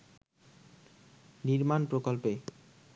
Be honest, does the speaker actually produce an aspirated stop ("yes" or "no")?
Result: no